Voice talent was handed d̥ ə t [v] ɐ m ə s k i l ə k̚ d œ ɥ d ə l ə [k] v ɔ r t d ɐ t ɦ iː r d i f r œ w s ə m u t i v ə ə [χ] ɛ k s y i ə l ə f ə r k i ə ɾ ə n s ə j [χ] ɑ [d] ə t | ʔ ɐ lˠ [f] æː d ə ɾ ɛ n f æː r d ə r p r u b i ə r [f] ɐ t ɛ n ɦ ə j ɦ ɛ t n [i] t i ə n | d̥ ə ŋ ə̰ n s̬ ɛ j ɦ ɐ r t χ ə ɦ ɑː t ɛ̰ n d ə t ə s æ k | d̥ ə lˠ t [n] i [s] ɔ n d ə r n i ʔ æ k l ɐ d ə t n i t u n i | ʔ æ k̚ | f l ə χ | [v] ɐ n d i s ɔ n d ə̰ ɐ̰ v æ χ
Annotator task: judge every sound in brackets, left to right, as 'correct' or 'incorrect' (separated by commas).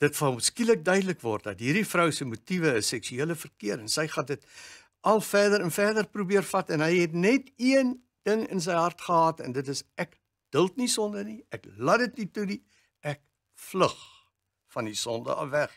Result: incorrect, correct, incorrect, correct, correct, correct, correct, incorrect, correct, correct, incorrect